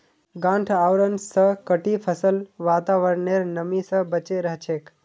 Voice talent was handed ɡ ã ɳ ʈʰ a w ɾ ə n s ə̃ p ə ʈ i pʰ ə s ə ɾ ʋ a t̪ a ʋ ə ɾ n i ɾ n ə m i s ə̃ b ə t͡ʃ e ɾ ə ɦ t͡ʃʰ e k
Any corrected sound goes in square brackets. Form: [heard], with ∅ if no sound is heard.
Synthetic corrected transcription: ɡ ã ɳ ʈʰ a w ɾ ə n s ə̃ [k] ə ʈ i pʰ ə s ə [l] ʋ a t̪ a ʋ ə ɾ n [e] ɾ n ə m i s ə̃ b ə t͡ʃ e ɾ ə ɦ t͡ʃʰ e k